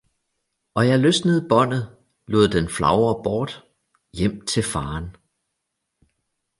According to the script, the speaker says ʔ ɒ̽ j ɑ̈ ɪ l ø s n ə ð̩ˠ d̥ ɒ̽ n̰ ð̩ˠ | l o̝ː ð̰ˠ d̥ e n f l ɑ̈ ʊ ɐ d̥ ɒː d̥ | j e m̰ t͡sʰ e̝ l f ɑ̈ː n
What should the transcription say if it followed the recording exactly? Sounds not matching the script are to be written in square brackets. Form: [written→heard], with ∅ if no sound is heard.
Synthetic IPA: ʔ ɒ̽ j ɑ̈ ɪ l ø s n ə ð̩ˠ [d̥→b̥] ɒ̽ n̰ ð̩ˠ | l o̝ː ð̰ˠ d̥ e n f l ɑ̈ ʊ ɐ [d̥→b̥] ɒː d̥ | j e m̰ t͡sʰ e̝ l f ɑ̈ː n